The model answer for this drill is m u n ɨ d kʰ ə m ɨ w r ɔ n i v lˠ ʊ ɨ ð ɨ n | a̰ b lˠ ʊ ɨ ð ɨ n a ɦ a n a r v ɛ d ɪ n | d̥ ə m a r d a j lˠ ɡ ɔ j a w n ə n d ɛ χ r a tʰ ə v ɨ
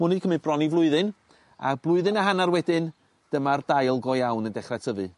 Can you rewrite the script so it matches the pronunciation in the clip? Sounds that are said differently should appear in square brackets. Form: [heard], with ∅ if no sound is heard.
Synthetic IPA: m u n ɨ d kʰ ə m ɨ [b] r ɔ n i v lˠ ʊ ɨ ð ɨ n | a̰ b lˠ ʊ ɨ ð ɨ n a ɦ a n a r [w] ɛ d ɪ n | d̥ ə m a r d a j lˠ ɡ ɔ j a w n ə n d ɛ χ r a tʰ ə v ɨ